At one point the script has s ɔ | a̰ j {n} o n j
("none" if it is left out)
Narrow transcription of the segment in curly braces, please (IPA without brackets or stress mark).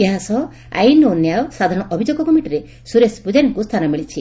n